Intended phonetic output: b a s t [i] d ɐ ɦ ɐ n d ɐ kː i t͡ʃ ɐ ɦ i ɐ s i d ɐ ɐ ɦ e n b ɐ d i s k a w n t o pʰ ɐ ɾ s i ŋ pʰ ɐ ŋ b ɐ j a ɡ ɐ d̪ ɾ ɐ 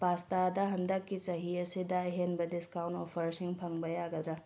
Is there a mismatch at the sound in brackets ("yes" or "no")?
yes